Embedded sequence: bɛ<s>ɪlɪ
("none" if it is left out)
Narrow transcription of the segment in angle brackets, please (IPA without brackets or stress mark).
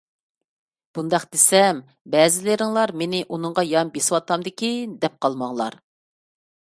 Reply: z